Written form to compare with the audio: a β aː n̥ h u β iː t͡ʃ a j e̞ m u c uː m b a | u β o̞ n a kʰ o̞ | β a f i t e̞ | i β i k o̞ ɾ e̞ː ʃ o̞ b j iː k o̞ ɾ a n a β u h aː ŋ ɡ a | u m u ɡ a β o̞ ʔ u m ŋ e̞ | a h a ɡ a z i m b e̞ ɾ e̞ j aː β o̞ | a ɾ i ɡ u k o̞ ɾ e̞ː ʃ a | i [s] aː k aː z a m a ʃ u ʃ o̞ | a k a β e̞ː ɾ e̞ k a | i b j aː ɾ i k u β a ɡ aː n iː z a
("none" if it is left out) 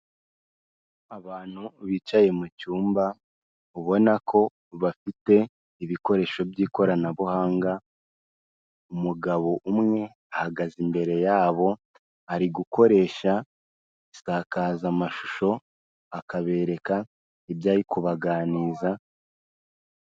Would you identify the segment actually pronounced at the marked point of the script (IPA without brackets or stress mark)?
s